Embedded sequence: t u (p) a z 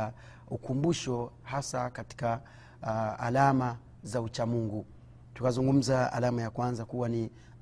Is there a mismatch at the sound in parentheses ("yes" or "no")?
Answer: yes